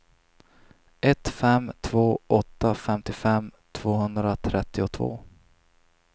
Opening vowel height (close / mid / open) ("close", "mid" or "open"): mid